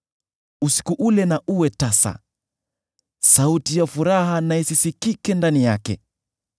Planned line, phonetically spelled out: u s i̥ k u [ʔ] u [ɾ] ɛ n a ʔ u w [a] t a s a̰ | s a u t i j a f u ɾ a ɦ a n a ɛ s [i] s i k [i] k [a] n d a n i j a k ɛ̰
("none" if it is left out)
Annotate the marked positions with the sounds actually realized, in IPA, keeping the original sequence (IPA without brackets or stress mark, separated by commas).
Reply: ʔ, l, ɛ, i, i, ɛ